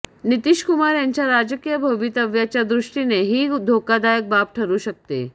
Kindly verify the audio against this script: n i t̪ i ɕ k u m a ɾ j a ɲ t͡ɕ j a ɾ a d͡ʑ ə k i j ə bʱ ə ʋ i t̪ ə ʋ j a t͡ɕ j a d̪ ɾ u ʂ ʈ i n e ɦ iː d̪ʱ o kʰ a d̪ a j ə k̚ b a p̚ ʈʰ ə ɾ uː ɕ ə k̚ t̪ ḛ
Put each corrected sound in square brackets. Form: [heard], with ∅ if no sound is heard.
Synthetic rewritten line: n i t̪ i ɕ k u m a ɾ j a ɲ t͡ɕ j a ɾ a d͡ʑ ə k i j ə bʱ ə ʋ i t̪ ə ʋ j a t͡ɕ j a d̪ ɾ u ʂ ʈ i n e ɦ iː d̪ʱ o [k] a d̪ a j ə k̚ b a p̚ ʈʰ ə ɾ uː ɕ ə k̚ t̪ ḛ